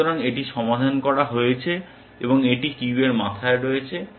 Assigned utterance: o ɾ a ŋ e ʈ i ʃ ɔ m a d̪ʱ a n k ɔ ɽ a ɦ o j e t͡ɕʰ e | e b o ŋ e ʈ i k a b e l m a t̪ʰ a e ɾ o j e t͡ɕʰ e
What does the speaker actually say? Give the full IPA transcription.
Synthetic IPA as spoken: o ɾ a ŋ e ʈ i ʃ ɔ m a d̪ʱ a n k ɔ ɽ a ɦ o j e t͡ɕʰ e | e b o ŋ e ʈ i k i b e ɾ m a t̪ʰ a e ɾ o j e t͡ɕʰ e